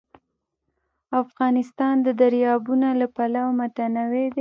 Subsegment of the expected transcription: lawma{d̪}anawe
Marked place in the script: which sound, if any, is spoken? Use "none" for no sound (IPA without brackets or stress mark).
t̪